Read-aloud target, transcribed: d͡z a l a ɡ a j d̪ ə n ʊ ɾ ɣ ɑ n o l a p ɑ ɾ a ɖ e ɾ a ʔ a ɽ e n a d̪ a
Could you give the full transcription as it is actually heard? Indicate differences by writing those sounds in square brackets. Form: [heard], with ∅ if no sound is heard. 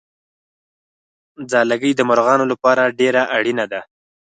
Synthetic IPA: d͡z [ɑ] l a ɡ [ə] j d̪ ə [m] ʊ ɾ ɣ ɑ n o l a p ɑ ɾ a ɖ e ɾ a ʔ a ɽ [i] n a d̪ a